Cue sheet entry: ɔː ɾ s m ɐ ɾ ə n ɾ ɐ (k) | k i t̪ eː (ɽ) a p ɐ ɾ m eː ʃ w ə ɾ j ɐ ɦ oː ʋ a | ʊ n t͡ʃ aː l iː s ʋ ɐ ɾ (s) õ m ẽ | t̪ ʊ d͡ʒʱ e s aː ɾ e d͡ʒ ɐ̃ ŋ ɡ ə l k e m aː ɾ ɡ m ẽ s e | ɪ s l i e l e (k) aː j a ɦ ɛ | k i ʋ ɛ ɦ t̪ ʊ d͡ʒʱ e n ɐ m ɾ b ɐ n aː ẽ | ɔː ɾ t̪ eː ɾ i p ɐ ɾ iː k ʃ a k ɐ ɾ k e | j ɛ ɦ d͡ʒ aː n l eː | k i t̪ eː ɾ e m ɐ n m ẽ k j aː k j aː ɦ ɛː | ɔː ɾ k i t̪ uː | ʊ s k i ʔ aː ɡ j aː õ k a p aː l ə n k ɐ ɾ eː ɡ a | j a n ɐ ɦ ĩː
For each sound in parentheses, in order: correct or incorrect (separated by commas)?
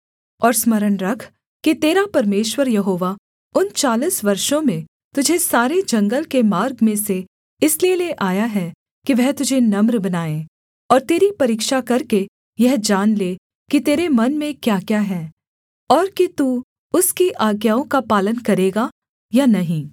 incorrect, incorrect, incorrect, incorrect